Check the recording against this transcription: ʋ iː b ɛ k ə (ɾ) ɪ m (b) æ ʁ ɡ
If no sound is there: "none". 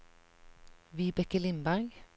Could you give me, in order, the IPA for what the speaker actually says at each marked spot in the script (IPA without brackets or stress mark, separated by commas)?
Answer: l, b